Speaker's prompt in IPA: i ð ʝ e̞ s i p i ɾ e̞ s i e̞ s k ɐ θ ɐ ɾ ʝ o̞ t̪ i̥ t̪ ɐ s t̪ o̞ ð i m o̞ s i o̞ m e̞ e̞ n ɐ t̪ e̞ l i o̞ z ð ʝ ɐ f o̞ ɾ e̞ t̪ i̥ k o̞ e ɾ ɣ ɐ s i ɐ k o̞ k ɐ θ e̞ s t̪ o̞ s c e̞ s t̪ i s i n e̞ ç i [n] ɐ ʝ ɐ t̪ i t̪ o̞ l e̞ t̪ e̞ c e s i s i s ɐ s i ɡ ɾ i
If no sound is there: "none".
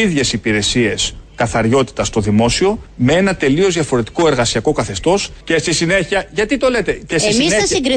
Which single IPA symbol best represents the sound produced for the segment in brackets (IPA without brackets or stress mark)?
none